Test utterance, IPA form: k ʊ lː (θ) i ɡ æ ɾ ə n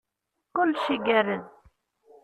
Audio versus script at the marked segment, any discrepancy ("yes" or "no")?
yes